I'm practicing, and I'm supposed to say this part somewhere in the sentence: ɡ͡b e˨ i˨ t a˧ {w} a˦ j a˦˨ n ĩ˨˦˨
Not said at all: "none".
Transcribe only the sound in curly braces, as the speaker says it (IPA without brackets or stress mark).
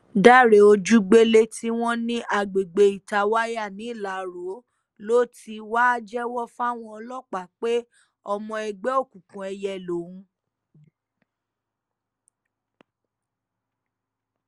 w